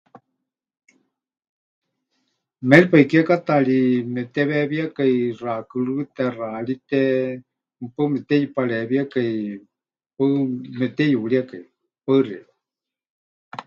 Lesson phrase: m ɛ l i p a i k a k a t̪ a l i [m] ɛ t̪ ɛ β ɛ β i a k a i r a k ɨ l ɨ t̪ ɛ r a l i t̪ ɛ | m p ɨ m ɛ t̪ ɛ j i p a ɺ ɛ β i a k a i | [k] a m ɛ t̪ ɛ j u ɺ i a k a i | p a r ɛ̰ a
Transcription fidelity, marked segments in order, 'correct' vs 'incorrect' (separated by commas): correct, incorrect